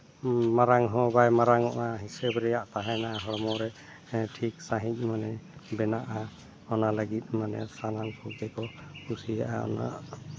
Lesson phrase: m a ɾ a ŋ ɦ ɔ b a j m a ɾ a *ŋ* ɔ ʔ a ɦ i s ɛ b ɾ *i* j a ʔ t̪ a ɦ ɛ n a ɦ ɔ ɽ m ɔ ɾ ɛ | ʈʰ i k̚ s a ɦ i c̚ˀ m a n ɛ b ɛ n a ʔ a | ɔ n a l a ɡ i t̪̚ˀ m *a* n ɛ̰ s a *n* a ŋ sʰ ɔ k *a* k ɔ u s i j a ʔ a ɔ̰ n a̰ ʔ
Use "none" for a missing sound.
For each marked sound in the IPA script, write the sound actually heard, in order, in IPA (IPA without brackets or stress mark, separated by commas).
ŋ, ɛ, a, n, ɛ